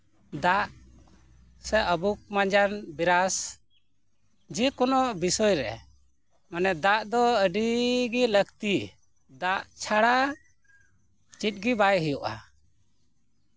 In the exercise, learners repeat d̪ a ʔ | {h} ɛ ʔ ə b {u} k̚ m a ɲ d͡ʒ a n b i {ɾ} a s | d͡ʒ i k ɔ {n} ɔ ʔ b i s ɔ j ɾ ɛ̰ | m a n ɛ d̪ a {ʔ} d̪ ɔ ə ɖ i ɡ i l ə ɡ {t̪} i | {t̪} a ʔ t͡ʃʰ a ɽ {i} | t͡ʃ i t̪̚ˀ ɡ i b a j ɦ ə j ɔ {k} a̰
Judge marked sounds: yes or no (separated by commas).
no, yes, yes, yes, yes, yes, no, no, no